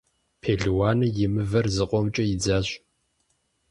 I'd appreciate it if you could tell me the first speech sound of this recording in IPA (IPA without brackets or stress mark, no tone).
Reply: pʰ